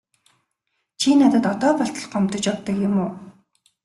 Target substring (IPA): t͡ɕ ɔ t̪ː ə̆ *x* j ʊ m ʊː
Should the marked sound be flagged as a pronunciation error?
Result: yes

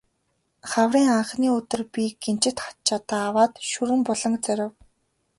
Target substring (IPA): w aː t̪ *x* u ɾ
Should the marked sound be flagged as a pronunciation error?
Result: yes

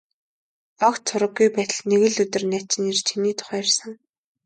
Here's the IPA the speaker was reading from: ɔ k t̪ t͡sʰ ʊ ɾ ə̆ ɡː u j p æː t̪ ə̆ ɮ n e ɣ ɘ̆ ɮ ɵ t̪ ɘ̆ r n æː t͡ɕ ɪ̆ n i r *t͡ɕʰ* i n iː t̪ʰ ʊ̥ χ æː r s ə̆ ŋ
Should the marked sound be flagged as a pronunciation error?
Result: no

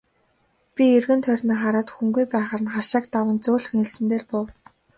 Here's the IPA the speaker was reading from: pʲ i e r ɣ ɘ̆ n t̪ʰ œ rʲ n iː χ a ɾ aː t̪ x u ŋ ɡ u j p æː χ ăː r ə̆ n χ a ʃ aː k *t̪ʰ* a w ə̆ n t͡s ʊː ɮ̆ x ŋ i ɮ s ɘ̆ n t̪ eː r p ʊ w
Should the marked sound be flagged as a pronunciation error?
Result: yes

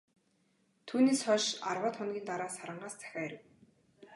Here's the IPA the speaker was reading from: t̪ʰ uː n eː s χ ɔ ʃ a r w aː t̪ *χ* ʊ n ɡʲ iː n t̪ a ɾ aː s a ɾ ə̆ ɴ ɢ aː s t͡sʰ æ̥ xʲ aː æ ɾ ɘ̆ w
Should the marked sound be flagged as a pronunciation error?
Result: no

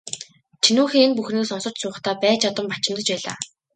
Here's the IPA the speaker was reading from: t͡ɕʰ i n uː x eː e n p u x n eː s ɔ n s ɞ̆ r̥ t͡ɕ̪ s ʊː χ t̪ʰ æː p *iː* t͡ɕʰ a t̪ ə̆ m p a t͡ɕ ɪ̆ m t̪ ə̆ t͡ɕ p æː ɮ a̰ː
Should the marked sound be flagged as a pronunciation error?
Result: yes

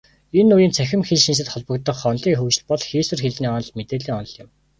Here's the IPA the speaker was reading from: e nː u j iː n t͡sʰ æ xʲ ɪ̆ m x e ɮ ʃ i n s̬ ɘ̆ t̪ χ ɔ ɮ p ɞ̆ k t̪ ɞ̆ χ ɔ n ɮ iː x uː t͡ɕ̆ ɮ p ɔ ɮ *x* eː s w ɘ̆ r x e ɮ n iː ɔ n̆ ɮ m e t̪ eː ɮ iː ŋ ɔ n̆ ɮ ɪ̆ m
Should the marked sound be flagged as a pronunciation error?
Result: no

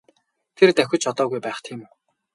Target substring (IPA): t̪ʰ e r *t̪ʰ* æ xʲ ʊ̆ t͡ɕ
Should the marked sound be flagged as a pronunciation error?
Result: yes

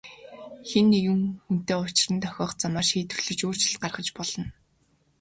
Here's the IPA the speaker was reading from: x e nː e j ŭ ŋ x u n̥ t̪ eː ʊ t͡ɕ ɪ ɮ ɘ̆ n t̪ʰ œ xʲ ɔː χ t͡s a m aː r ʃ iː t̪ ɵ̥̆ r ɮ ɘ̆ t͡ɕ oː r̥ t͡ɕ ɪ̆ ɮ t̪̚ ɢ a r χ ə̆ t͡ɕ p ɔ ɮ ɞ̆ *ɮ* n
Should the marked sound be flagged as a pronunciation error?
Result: yes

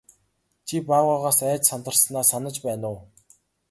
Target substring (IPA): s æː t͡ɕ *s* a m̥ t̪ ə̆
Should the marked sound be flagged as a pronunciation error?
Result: no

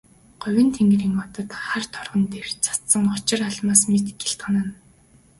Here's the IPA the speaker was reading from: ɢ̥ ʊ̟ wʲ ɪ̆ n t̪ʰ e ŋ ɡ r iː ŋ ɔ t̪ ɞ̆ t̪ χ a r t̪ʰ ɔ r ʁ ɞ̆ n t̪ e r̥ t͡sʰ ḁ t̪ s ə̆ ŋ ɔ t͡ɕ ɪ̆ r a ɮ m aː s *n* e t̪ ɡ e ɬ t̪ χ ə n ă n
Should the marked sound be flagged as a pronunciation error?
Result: yes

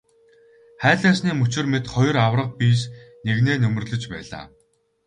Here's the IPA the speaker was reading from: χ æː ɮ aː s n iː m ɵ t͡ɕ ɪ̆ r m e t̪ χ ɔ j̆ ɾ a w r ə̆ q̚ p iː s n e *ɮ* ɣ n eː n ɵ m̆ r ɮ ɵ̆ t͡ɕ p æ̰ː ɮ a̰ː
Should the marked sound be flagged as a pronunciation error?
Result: yes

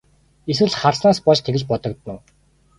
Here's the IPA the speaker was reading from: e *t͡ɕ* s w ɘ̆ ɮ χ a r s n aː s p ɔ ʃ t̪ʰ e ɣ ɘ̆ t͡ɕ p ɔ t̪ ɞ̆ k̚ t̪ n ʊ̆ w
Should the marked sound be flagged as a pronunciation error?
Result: yes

